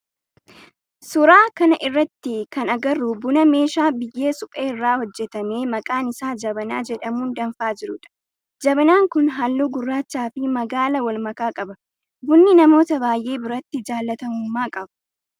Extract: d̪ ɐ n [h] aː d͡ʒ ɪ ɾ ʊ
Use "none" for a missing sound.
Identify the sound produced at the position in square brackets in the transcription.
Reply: f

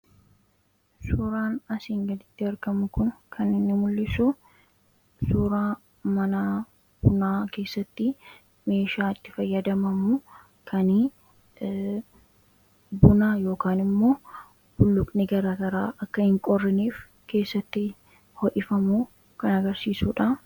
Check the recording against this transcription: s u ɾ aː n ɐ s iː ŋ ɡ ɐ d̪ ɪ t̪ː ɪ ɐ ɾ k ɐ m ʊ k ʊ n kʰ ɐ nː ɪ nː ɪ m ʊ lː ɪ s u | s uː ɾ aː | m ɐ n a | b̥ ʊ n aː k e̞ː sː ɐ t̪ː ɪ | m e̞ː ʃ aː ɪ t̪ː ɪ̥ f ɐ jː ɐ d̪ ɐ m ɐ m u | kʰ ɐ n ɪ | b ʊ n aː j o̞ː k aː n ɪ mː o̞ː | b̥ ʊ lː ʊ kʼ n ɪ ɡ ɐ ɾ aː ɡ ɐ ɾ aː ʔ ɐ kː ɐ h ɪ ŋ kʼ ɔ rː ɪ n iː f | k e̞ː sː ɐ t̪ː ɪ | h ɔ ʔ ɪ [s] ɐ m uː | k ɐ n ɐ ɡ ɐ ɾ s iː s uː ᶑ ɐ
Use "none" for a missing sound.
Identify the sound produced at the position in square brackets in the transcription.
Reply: f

